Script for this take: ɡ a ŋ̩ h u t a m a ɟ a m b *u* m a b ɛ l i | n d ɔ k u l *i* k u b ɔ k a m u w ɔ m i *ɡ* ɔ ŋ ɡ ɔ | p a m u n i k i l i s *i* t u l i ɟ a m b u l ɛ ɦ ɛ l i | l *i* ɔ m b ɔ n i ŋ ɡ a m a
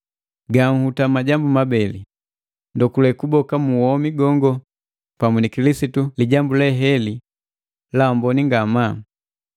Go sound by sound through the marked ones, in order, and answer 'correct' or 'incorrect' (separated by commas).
correct, incorrect, correct, correct, incorrect